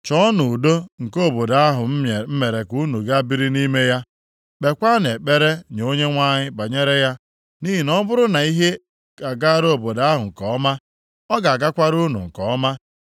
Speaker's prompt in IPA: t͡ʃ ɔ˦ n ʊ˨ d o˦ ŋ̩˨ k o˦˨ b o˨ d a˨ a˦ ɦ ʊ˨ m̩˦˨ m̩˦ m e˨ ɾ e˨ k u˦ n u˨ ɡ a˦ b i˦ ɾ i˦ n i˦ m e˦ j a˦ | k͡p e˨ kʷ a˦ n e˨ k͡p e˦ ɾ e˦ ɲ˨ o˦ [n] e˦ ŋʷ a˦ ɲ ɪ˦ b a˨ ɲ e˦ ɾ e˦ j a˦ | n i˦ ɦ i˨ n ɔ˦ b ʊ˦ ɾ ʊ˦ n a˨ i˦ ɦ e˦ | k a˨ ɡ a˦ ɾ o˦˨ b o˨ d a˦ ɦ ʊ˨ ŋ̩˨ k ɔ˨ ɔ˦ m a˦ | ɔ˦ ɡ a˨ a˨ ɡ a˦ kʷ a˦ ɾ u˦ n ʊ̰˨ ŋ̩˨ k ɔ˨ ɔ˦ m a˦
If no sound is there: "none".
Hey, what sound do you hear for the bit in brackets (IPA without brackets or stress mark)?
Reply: ɲ